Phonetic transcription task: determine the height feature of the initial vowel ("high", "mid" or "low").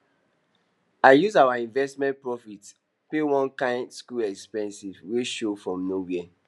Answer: low